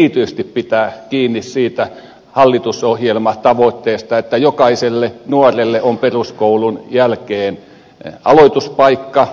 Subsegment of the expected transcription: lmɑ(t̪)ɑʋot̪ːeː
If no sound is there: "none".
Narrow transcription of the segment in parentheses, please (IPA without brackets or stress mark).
t̪